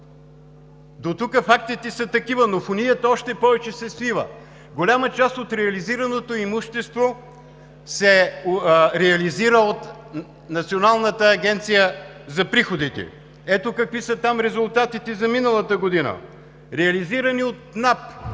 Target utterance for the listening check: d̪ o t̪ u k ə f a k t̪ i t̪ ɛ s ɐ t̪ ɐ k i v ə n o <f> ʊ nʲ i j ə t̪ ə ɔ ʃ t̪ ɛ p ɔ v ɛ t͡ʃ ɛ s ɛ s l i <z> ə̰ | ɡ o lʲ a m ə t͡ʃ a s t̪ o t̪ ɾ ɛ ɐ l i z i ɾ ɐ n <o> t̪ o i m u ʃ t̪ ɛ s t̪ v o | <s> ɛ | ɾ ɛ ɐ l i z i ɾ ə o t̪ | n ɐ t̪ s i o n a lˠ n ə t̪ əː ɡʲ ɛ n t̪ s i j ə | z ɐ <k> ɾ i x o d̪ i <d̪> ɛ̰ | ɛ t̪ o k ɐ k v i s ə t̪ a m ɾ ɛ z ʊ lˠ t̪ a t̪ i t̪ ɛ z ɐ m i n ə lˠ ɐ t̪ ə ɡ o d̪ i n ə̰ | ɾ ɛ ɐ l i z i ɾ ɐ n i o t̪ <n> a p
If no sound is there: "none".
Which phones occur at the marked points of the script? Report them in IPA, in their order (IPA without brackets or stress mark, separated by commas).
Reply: f, v, o, s, p, t̪, n